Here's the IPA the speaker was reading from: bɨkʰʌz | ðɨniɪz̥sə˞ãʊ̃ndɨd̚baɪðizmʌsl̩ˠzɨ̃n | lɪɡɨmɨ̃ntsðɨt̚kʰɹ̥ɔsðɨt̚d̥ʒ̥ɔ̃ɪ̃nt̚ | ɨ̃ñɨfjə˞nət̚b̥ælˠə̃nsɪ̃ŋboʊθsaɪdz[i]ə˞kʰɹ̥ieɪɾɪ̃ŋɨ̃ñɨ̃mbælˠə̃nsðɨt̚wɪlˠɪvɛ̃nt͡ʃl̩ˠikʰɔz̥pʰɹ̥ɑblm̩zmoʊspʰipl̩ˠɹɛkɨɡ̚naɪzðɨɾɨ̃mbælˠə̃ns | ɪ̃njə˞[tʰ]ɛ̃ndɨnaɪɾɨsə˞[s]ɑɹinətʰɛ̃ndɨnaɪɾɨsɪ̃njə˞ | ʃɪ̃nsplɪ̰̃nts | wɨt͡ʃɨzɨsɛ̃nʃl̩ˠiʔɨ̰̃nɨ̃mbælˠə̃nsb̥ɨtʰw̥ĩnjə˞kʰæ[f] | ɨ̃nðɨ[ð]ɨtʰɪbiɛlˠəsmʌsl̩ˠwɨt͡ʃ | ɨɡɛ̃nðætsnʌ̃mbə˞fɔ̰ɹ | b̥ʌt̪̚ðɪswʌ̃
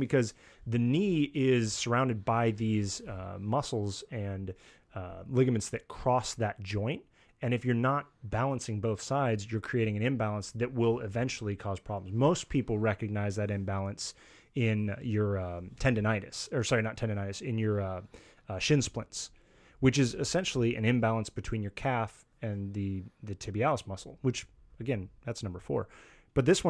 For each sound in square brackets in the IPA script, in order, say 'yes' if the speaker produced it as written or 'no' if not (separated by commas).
no, yes, yes, yes, yes